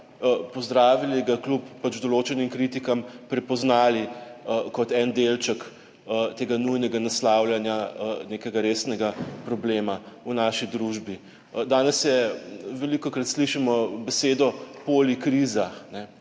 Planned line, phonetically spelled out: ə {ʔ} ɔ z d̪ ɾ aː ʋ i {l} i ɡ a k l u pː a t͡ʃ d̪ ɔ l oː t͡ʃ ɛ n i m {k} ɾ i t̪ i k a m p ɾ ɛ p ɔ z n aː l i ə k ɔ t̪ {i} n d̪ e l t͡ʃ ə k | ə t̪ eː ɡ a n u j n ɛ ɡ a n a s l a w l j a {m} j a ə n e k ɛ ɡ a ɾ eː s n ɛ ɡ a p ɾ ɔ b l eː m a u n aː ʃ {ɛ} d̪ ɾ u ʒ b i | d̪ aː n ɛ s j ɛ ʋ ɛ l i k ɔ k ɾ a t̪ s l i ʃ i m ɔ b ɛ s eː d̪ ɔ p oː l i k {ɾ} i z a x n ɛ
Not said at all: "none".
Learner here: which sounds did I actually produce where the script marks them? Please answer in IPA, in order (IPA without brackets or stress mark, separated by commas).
p, l, k, ɛ, n, i, ɾ